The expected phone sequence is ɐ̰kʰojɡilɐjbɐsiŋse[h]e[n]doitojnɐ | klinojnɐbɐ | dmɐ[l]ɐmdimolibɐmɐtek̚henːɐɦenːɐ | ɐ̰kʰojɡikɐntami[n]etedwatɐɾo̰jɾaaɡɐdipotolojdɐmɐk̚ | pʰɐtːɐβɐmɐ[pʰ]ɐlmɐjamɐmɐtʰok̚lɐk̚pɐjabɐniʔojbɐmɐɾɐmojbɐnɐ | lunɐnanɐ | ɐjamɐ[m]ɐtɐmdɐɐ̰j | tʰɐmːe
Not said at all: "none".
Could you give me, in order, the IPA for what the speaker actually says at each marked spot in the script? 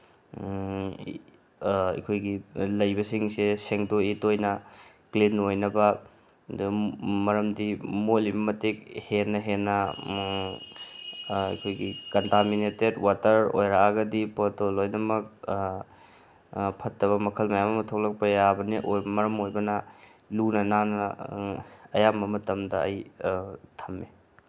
s, ŋ, ɾ, n, kʰ, m

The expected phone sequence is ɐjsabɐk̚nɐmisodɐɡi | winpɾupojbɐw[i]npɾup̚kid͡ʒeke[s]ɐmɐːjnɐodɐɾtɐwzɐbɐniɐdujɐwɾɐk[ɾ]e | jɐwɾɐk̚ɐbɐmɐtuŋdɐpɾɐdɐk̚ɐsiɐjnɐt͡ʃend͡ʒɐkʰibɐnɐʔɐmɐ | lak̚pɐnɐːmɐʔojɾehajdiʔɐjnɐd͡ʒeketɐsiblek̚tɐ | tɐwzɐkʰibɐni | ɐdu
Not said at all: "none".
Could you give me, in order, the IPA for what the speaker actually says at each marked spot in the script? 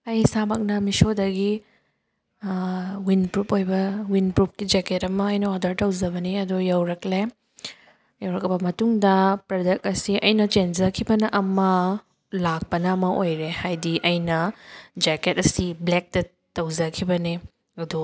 i, t, l

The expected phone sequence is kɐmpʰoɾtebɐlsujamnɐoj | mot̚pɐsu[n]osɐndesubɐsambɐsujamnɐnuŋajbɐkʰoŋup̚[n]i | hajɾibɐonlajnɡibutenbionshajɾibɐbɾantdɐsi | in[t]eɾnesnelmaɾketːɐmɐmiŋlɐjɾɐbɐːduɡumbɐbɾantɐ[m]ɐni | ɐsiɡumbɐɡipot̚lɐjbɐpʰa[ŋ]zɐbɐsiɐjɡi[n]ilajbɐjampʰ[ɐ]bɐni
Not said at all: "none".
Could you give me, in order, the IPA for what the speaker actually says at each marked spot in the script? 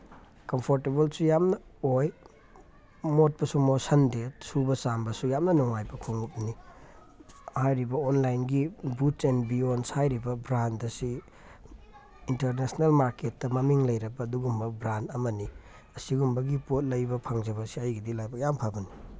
m, n, t, m, ŋ, d, a

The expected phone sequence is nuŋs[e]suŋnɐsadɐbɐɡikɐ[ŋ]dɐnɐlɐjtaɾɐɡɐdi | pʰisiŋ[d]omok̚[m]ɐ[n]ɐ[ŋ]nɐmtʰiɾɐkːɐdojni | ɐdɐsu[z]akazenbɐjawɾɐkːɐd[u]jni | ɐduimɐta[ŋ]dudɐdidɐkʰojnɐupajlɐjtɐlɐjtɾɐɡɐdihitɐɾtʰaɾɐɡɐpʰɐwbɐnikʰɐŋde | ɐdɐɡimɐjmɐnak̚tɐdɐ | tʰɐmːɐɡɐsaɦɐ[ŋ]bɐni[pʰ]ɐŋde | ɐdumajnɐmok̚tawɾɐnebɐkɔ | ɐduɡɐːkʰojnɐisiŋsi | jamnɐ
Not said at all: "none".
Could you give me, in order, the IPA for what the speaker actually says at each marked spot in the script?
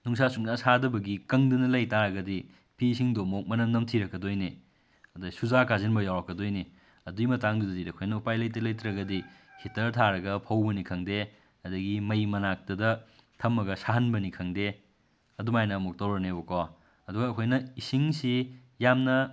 a, ŋ, d, m, n, m, z, o, ŋ, n, kʰ

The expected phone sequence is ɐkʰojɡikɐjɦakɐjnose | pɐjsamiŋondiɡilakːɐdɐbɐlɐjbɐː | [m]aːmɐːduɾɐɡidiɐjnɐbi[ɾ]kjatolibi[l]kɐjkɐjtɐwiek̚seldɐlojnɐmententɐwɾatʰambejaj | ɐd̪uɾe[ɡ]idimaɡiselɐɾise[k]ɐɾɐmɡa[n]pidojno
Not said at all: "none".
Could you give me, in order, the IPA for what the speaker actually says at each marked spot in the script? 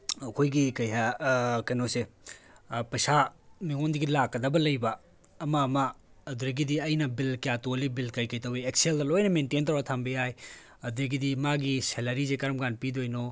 m, l, l, ɡ, k, n

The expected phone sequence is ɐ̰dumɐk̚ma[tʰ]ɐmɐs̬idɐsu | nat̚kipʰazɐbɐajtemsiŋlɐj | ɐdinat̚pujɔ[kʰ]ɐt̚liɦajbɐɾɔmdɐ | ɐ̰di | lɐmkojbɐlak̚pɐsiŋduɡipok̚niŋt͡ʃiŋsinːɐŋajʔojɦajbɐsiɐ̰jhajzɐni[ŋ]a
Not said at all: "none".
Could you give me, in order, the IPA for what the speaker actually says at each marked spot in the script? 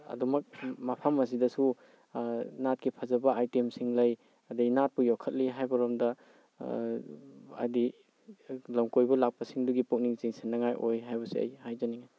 pʰ, kʰ, ŋ

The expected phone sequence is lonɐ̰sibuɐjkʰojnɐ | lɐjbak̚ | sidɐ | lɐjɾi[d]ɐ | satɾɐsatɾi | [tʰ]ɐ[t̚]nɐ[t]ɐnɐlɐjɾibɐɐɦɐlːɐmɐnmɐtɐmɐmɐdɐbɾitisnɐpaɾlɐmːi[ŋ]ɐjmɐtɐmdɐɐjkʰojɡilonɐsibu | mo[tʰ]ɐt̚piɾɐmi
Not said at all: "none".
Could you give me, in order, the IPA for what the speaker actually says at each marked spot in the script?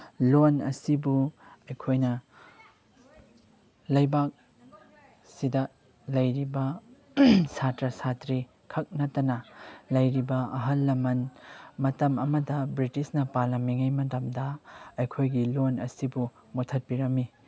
b, kʰ, k̚, t, ŋ, tʰ

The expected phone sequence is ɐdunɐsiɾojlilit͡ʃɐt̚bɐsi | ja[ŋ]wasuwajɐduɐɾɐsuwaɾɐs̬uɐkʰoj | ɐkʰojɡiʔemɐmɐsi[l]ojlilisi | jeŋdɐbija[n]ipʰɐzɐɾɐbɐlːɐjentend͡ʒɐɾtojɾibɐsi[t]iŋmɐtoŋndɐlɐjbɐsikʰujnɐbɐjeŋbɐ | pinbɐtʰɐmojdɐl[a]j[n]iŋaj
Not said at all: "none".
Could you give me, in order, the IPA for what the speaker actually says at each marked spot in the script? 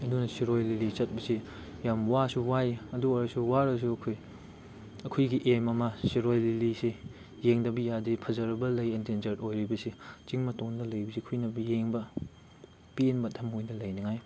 m, ɾ, d, t͡ʃ, ɐ, n

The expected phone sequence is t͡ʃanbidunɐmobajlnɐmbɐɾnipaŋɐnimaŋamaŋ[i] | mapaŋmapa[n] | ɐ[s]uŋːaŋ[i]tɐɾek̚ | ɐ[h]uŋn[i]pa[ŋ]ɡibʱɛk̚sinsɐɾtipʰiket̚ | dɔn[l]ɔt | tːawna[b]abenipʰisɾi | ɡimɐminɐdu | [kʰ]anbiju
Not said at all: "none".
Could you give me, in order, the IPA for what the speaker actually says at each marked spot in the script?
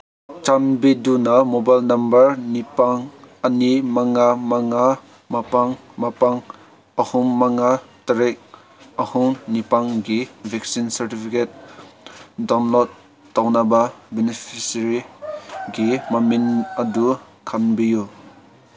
a, ŋ, h, a, h, i, ŋ, l, b, kʰ

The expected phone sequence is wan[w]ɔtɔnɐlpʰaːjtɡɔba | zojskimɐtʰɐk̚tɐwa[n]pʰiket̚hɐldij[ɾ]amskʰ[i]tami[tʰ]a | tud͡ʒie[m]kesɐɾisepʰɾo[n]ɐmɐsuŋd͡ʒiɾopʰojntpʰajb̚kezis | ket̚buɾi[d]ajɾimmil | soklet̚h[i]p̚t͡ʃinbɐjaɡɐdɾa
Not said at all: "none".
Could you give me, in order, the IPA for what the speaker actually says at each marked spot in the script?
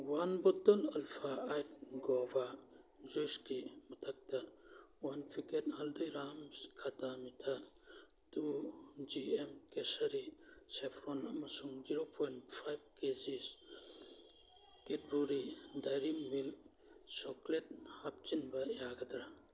b, n, ɾ, a, tʰ, m, n, d, a

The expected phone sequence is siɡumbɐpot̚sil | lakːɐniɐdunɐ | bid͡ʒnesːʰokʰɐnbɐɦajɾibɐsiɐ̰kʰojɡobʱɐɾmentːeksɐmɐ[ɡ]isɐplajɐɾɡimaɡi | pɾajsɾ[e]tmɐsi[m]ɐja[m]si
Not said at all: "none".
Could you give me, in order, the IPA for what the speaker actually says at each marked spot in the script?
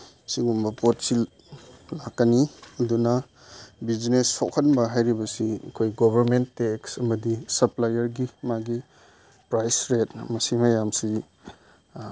d, e, m, m

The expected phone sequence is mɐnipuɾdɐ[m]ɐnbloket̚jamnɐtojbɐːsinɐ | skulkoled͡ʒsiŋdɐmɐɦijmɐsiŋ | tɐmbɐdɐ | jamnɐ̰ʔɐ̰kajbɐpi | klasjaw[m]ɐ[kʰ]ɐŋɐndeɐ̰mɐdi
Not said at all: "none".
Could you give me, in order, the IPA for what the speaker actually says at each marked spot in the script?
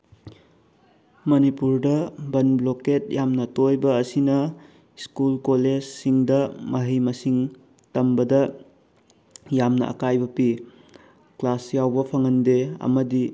b, b, pʰ

